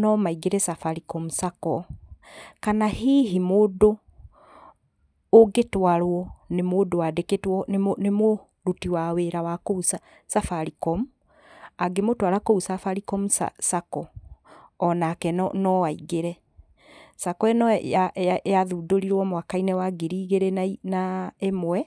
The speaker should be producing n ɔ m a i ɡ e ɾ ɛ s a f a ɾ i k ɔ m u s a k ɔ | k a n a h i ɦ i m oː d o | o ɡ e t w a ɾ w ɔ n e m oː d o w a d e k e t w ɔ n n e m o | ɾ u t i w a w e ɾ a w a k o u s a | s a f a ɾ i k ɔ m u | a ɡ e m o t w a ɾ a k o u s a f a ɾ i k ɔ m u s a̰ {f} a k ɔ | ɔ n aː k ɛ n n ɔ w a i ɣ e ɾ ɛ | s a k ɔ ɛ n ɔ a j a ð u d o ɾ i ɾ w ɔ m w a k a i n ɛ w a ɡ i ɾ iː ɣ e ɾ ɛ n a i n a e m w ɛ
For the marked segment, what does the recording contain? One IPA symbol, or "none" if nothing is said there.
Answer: s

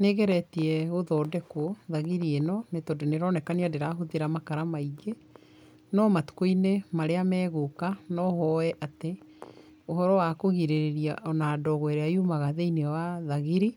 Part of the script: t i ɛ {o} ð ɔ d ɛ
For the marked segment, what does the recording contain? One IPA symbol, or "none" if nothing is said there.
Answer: o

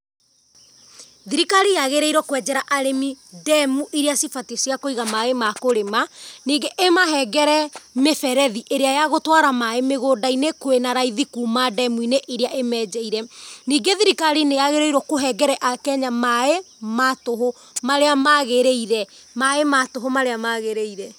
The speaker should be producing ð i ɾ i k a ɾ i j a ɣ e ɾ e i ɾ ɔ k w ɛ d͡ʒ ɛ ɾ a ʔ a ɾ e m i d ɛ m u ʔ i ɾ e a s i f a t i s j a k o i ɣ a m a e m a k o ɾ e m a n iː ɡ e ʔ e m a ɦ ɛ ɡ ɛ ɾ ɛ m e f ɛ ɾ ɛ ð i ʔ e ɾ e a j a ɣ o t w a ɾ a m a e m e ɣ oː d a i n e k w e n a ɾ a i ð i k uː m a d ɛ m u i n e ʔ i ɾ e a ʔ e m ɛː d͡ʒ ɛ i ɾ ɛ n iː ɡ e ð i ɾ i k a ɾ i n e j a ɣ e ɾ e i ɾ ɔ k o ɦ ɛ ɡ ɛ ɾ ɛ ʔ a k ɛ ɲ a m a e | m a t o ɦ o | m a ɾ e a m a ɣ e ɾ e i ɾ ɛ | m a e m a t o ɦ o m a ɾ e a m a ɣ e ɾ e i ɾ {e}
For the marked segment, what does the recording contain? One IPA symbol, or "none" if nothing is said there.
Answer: ɛ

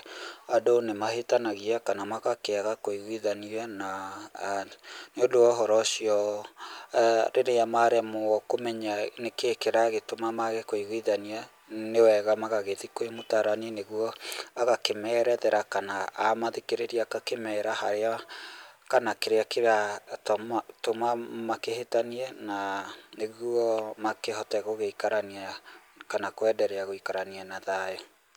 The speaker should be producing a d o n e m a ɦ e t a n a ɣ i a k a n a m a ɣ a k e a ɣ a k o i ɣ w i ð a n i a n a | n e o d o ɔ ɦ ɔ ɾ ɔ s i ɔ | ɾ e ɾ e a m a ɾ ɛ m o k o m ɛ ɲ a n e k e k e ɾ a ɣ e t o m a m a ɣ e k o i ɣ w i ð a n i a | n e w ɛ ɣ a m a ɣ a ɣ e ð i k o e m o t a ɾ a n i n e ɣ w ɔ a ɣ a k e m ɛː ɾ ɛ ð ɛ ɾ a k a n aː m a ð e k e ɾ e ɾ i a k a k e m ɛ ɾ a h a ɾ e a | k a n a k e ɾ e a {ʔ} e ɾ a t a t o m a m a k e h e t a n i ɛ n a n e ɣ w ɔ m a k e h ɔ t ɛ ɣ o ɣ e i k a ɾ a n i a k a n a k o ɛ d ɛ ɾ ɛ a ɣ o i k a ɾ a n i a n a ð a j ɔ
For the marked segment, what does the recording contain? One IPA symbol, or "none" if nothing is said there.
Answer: k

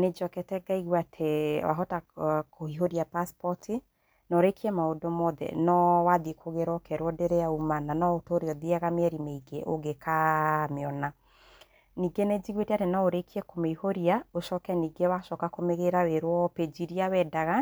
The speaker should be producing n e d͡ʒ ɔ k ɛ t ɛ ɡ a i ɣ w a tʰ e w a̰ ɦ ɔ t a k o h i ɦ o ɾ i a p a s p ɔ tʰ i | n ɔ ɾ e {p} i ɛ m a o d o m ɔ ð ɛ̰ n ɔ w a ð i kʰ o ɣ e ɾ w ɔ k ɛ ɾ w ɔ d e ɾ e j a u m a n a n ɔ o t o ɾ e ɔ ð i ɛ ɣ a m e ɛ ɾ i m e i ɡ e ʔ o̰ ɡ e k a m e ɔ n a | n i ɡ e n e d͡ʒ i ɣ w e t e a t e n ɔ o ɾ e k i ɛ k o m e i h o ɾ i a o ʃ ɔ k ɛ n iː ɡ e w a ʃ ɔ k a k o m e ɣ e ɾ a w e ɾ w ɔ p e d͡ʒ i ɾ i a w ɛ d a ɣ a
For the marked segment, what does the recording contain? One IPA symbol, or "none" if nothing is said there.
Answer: k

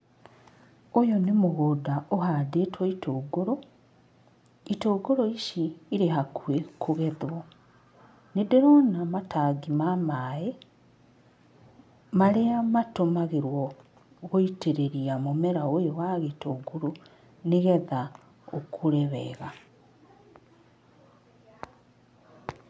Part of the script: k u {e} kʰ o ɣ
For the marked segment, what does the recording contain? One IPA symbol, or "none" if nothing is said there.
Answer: e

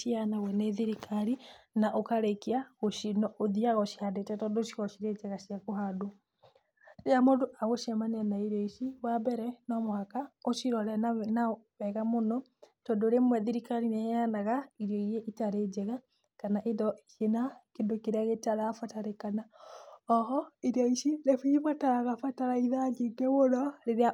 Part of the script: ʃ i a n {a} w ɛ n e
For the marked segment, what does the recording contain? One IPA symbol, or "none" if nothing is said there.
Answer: a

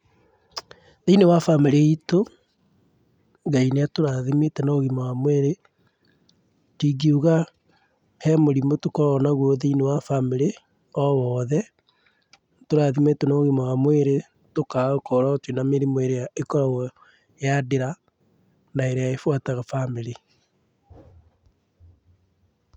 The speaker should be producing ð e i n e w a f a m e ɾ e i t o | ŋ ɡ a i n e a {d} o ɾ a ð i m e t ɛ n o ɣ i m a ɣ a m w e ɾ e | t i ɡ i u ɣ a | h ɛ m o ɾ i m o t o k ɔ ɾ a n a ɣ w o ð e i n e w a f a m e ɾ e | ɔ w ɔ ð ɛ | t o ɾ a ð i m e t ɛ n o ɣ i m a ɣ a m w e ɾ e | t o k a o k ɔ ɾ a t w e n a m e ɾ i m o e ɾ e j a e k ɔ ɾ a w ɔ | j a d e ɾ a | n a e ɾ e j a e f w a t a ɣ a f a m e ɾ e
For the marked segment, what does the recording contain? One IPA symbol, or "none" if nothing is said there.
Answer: t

